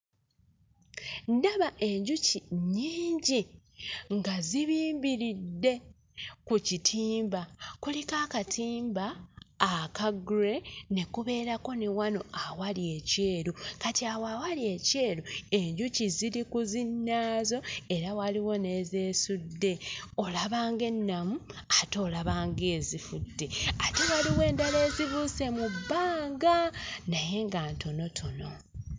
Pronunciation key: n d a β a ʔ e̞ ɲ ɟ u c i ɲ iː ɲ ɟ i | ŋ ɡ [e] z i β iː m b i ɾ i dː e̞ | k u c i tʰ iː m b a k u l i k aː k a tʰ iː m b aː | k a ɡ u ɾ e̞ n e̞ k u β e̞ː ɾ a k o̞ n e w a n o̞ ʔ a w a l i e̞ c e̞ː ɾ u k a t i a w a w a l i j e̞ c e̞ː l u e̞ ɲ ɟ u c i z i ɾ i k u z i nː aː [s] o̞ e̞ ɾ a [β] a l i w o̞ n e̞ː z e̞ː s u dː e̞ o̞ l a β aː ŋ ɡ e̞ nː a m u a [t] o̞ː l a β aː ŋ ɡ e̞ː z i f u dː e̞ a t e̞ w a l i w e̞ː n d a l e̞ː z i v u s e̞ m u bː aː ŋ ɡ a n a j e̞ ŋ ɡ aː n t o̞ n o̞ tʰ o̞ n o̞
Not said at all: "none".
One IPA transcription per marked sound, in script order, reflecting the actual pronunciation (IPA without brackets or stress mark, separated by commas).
a, z, w, t